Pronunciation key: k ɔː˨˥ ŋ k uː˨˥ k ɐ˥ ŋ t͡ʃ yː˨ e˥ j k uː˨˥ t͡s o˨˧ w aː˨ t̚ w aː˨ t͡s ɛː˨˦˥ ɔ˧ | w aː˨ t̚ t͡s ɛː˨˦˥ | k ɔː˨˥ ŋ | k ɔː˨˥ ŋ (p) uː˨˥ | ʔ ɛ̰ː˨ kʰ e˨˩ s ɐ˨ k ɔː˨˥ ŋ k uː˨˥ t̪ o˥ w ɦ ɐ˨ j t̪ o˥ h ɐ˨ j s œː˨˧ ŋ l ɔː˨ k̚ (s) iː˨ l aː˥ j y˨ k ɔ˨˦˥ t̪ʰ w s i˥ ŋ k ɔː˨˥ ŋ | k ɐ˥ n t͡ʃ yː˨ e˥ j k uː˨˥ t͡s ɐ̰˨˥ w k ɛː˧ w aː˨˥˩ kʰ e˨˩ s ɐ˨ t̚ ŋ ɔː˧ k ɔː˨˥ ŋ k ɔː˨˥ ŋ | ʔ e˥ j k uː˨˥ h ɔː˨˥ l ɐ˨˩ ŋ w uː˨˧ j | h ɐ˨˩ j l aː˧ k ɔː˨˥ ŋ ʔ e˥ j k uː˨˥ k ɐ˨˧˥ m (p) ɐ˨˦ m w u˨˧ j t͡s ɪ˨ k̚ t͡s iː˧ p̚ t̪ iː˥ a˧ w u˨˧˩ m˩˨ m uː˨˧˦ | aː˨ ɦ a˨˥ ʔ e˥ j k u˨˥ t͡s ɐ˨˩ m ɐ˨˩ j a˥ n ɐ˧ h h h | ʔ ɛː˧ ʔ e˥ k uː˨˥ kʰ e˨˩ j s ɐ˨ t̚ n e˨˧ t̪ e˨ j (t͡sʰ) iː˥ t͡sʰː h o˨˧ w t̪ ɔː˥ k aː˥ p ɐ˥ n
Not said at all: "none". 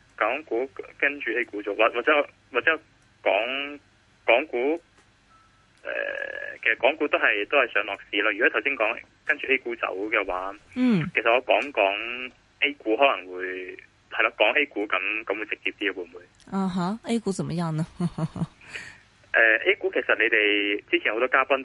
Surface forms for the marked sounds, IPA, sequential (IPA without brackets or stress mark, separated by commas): k, s, k, t͡s